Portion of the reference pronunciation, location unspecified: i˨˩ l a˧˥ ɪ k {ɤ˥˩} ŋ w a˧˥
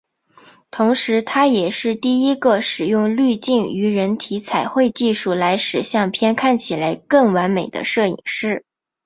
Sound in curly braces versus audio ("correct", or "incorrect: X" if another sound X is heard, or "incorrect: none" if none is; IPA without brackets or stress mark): correct